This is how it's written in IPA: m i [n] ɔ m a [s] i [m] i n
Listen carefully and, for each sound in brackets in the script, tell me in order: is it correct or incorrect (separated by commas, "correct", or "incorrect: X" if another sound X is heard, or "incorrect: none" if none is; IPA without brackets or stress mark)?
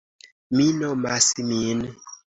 correct, correct, correct